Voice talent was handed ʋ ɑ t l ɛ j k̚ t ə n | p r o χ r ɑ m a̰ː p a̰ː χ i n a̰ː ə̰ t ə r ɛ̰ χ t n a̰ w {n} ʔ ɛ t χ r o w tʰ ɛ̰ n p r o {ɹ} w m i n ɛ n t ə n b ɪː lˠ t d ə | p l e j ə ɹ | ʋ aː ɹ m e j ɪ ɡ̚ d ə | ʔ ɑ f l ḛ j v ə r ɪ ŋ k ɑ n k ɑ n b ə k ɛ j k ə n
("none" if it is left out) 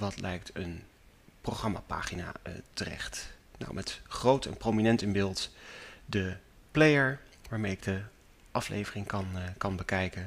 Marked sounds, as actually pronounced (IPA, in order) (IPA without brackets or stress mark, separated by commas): m, none